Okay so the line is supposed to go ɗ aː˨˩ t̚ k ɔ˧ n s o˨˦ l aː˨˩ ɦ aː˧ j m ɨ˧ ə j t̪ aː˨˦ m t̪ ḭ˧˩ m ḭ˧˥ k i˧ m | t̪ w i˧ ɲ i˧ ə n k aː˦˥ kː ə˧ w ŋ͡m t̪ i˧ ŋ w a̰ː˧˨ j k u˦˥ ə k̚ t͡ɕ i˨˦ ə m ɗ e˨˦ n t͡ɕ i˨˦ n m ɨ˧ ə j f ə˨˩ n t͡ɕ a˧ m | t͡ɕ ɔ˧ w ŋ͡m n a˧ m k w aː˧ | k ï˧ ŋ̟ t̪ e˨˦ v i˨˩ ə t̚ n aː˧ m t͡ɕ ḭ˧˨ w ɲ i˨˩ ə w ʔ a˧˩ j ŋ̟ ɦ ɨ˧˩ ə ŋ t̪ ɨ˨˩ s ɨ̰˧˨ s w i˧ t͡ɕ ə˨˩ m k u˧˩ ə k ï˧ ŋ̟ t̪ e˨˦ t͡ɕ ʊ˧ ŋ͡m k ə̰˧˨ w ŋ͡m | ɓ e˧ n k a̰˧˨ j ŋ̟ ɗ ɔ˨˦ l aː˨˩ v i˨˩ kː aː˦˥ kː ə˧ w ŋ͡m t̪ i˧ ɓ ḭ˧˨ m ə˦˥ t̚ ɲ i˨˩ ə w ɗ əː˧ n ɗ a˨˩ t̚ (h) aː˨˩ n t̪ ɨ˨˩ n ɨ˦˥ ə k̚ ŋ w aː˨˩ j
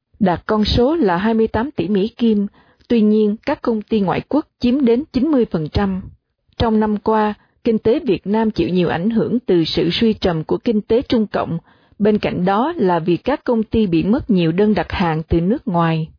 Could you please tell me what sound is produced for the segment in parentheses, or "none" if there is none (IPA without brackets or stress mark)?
h